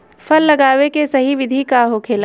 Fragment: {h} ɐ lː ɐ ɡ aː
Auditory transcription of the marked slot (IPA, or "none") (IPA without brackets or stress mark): f